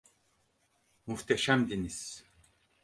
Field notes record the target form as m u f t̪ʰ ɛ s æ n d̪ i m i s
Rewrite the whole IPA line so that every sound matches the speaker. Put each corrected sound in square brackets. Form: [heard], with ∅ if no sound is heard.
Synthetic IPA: m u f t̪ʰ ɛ [ʃ] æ [m] d̪ i [n] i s